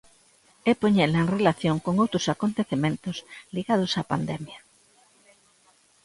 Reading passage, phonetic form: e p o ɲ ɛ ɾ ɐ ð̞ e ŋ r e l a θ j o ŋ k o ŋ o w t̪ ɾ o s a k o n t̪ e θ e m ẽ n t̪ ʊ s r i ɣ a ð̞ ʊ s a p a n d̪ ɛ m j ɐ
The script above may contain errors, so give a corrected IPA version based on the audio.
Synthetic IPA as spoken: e p o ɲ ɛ l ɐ e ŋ r e l a θ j o ŋ k o ŋ o w t̪ ɾ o s a k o n t̪ e θ e m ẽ n t̪ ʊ s l i ɣ a ð̞ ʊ s a p a n d̪ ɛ m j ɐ